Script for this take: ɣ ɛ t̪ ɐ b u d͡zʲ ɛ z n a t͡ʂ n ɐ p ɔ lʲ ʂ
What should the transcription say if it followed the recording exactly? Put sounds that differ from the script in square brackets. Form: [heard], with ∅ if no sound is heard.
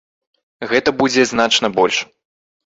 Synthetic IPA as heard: ɣ ɛ t̪ ɐ b u d͡zʲ ɛ z n a t͡ʂ n ɐ [b] ɔ lʲ ʂ